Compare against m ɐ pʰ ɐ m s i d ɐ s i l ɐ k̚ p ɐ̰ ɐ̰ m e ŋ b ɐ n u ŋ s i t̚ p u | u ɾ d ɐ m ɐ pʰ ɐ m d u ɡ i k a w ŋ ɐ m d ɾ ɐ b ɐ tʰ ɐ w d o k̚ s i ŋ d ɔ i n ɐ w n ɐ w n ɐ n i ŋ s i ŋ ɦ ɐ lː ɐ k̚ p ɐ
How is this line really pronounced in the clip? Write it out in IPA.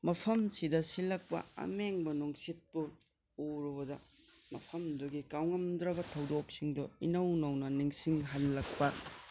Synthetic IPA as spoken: m ɐ pʰ ɐ m s i d ɐ s i l ɐ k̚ p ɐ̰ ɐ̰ m e ŋ b ɐ n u ŋ s i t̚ p u | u ɾ d ɐ m ɐ pʰ ɐ m d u ɡ i k a w ŋ ɐ m d ɾ ɐ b ɐ tʰ ɐ w d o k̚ s i ŋ d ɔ i n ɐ w n ɐ w n ɐ n i ŋ s i ŋ ɦ ɐ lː ɐ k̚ p ɐ